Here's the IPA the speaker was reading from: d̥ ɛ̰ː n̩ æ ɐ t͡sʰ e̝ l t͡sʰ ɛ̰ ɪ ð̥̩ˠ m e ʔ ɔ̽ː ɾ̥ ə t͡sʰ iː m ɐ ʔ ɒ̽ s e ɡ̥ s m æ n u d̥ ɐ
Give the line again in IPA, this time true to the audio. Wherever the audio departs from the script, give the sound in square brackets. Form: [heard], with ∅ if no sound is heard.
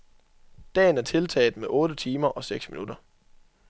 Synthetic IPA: d̥ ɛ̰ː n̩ æ ɐ t͡sʰ e̝ l t͡sʰ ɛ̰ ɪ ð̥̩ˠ m e ʔ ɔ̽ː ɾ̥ ə t͡sʰ iː m ɐ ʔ ɒ̽ s e ɡ̥ s m [i] n u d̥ ɐ